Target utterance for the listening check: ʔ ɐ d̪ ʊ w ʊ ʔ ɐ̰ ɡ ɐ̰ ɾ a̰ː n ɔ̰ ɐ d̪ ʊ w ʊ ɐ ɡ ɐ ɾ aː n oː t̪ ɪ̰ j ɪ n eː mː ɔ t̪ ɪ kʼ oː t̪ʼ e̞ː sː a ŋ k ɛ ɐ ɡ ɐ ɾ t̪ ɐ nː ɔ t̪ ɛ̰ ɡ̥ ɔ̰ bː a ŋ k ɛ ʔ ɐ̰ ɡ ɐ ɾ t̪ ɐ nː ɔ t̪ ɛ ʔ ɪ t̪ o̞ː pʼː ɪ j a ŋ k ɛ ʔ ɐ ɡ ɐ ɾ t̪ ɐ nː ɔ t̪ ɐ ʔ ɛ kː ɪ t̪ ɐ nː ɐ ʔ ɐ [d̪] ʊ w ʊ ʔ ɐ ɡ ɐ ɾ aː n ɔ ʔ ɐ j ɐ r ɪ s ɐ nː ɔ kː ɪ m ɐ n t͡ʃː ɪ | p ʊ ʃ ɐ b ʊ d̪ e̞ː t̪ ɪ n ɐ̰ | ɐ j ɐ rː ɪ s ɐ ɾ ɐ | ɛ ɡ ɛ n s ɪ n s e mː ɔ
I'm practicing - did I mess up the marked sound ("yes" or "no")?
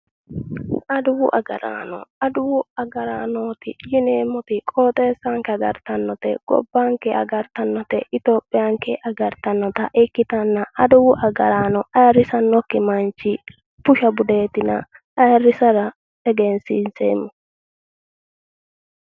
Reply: no